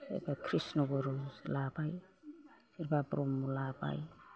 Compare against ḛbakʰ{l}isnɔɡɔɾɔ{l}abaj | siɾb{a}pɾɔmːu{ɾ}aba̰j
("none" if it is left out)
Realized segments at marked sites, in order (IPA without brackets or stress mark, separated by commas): ɾ, l, a, l